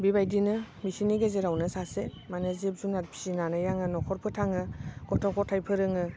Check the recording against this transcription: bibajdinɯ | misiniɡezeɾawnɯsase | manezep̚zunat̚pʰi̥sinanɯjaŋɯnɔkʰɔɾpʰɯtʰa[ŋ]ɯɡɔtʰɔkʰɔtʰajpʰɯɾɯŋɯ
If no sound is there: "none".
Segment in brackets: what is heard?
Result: ŋ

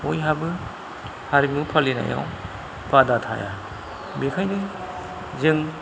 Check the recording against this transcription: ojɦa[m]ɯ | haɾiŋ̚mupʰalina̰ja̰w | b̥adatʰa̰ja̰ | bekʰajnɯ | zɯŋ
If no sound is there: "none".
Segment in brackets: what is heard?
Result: b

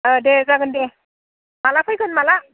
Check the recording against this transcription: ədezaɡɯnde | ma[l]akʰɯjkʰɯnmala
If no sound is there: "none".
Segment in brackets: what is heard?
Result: l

